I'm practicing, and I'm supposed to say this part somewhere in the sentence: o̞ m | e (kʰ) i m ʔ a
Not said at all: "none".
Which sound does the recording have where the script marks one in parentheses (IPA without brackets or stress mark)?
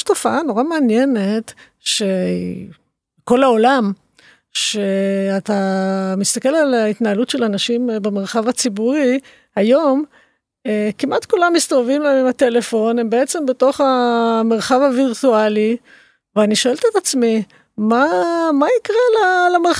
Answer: k